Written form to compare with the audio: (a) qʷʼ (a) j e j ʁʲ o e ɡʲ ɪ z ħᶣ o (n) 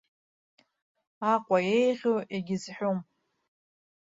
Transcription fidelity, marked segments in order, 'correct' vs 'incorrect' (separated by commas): correct, correct, incorrect